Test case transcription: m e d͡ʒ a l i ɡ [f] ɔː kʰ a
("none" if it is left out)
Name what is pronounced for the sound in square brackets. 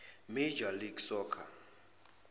s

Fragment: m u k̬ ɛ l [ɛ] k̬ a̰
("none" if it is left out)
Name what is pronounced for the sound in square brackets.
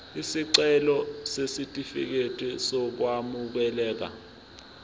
ɛː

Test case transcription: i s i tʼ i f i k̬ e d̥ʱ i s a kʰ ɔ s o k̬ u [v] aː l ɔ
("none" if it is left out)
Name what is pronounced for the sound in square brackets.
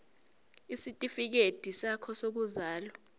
z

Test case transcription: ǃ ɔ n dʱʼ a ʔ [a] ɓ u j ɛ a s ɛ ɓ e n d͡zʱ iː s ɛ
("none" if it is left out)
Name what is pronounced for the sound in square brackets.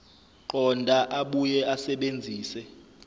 a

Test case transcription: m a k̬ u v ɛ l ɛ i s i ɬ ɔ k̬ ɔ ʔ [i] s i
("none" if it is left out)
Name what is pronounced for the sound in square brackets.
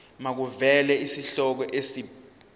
e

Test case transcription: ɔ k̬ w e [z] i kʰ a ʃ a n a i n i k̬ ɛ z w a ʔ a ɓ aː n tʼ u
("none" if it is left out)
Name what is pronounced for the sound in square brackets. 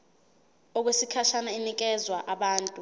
s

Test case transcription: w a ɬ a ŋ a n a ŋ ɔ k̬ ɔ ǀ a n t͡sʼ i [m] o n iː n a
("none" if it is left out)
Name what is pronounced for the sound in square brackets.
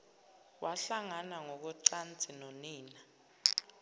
n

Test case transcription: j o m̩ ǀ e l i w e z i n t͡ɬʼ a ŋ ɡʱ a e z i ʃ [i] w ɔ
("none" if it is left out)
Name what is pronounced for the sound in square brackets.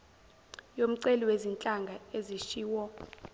iː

